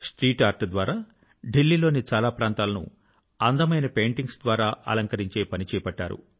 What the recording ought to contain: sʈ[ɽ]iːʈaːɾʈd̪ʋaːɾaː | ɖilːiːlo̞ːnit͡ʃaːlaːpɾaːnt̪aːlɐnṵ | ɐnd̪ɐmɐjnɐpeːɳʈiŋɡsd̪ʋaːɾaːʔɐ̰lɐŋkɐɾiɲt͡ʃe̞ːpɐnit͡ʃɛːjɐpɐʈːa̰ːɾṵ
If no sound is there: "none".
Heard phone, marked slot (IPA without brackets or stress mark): ɾ